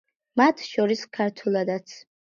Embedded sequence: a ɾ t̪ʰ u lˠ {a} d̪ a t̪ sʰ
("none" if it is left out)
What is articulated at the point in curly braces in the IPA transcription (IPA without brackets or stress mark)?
a